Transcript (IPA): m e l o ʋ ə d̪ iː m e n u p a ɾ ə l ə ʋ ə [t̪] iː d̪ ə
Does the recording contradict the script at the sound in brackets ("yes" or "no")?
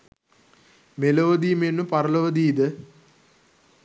yes